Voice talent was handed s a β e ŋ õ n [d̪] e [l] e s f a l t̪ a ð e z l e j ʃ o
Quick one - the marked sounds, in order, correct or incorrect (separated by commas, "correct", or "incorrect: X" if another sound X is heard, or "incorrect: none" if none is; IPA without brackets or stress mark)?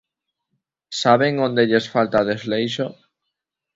correct, incorrect: ʎ